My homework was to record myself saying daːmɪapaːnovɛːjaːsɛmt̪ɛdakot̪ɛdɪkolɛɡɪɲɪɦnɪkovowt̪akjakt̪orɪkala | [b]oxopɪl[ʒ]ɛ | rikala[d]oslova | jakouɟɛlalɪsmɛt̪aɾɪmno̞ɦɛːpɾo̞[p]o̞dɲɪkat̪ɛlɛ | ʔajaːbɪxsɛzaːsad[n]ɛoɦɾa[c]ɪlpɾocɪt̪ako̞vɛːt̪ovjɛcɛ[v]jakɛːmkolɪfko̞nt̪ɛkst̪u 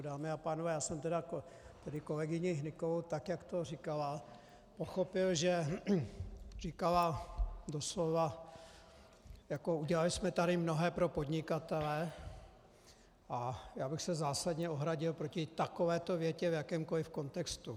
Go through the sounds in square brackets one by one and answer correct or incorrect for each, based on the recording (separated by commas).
incorrect, correct, correct, correct, incorrect, incorrect, correct